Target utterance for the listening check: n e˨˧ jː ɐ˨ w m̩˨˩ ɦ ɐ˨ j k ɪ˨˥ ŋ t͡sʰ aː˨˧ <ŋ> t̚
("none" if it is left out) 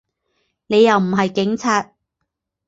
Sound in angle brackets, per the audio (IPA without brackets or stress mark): none